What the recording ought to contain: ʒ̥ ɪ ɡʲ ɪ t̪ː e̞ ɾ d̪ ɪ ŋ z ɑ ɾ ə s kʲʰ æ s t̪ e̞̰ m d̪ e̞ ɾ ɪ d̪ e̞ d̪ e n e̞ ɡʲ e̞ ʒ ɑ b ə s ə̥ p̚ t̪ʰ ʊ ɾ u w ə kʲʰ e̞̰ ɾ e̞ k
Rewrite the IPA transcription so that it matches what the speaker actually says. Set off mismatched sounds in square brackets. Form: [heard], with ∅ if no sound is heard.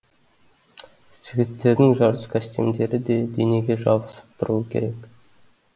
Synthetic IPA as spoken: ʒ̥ ɪ ɡʲ ɪ t̪ː e̞ ɾ d̪ ɪ ŋ [ʒ] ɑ ɾ ə s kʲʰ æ s t̪ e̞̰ m d̪ e̞ ɾ ɪ d̪ e̞ d̪ e n e̞ ɡʲ e̞ ʒ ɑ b ə s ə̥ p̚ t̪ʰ ʊ ɾ u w ə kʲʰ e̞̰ ɾ e̞ k

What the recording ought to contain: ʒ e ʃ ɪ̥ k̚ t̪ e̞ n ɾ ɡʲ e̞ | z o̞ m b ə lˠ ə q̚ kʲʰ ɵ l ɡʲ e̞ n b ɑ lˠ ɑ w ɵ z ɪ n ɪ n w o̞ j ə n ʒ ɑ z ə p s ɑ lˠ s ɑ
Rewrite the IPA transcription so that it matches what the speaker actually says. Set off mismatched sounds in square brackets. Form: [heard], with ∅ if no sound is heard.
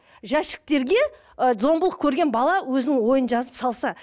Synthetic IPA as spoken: ʒ [æ] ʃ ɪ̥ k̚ t̪ e̞ [∅] ɾ ɡʲ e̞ | z o̞ m b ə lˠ ə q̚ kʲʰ ɵ [ɾ] ɡʲ e̞ n b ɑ lˠ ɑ w ɵ z ɪ n ɪ [ŋ] w o̞ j ə n ʒ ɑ z ə p s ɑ lˠ s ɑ

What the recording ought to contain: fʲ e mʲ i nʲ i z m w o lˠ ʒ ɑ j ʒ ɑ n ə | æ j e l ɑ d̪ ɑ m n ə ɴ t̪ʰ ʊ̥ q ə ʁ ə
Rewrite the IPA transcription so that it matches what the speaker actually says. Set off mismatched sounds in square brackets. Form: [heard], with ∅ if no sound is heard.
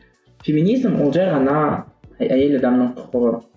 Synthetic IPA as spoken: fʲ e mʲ i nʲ i z m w o lˠ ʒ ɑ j [ʁ] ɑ n [ɑ] | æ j e l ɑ d̪ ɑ m n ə ɴ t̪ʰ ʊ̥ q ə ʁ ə

